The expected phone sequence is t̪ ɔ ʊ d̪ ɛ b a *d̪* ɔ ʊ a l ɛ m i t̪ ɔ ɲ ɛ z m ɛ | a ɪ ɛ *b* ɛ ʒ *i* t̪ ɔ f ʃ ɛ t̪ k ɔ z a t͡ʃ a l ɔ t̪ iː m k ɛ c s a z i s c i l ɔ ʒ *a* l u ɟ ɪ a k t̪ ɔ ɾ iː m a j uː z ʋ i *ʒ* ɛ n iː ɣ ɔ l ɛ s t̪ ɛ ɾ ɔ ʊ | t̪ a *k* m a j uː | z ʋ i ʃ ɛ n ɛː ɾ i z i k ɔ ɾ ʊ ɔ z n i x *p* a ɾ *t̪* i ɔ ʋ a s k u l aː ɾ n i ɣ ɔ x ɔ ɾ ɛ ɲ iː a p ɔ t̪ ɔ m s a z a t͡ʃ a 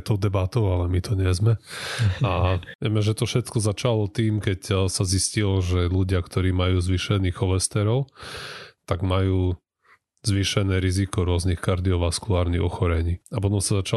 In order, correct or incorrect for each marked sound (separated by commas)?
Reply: incorrect, incorrect, incorrect, incorrect, incorrect, incorrect, incorrect, incorrect